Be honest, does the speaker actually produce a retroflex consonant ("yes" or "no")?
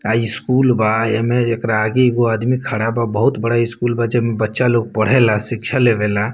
yes